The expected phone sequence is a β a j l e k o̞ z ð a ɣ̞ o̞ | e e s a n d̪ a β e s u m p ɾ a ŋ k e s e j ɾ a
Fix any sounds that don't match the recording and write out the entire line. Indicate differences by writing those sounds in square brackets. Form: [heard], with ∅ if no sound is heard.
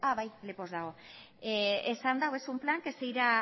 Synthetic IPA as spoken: a β a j l e [p] o̞ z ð a ɣ̞ o̞ | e e s a n d̪ a [w] e s u m p [l] a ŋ k e s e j ɾ a